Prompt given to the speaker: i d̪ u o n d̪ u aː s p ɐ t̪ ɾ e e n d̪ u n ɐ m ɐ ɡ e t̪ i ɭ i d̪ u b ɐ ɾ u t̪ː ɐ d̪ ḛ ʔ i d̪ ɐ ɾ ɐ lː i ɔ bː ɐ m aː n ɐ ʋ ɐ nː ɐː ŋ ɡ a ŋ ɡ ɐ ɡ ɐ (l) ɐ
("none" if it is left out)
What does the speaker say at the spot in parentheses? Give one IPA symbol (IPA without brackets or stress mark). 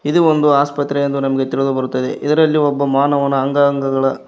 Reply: ɭ